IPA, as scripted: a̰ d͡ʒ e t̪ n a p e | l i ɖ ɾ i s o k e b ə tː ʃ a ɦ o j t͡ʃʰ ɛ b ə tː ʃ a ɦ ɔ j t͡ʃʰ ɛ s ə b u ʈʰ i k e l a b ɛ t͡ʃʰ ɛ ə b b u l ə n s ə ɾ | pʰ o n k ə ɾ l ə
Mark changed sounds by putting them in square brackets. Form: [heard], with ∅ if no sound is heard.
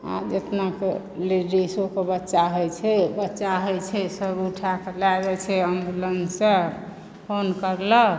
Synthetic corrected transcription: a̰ d͡ʒ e t̪ n a [k] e | l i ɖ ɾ i s o k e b ə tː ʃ a ɦ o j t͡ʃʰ ɛ b ə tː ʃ a ɦ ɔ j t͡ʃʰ ɛ s ə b u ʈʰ [a] k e l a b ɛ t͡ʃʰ ɛ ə [m] b u l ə n s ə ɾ | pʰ o n k ə ɾ l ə